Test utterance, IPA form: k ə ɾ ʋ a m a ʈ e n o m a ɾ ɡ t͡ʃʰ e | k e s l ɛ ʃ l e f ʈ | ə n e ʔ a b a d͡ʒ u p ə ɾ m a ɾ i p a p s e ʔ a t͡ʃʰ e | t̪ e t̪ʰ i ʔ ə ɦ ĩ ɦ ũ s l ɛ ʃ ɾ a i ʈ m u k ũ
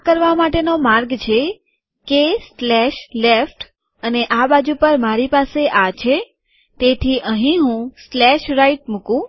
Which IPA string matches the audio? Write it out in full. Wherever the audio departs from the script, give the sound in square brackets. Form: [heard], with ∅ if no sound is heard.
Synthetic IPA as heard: k ə ɾ ʋ a m a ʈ e n o m a ɾ ɡ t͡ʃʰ e | k e s l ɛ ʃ l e f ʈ | ə n e ʔ a b a d͡ʒ u p ə ɾ m a ɾ i p a [∅] s e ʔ a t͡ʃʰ e | t̪ e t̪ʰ i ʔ ə ɦ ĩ ɦ ũ s l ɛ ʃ ɾ a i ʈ m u k ũ